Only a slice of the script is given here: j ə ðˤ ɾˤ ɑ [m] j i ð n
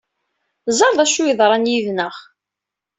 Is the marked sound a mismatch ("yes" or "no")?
yes